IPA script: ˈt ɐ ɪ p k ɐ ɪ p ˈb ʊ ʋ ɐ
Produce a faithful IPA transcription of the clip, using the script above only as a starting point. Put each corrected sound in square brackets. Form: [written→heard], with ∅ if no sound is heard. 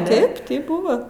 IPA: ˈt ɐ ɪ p [k→t] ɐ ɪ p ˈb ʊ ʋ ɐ

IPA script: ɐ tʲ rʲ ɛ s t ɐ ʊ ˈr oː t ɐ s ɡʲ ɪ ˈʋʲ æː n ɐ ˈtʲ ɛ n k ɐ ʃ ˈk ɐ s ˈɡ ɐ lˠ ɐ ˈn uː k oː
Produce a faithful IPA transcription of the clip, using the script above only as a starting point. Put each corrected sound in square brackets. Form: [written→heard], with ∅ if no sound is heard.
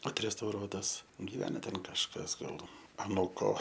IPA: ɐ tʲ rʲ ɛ s t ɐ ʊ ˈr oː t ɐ s ɡʲ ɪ ˈʋʲ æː n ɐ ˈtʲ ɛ n k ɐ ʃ ˈk ɐ s ˈɡ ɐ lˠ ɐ ˈn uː k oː

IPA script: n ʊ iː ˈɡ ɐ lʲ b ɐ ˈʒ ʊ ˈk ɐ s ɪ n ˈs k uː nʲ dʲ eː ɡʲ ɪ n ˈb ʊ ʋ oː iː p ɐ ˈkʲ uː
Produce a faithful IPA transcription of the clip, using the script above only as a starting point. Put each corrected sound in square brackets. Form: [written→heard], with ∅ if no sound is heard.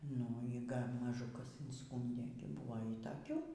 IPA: n ʊ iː ˈɡ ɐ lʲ [b→m] ɐ ˈʒ ʊ ˈk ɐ s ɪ n ˈs k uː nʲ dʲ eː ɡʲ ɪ [n→∅] ˈb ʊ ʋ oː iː [p→t] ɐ ˈkʲ uː

